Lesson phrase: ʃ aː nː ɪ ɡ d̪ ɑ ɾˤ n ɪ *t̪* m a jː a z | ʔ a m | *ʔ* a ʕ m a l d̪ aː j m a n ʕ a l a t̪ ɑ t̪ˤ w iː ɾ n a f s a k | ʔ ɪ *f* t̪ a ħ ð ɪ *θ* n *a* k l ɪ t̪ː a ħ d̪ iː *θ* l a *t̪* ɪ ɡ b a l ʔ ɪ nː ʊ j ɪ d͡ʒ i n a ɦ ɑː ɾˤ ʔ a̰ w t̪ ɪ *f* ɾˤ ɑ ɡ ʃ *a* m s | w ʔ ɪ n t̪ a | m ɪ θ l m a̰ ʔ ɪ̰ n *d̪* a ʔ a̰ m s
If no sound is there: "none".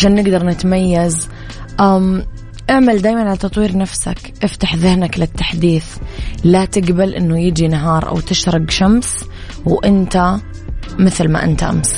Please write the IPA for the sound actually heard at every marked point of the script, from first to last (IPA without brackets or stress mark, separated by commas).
t̪, ʔ, f, h, a, θ, t̪, ʃ, a, t̪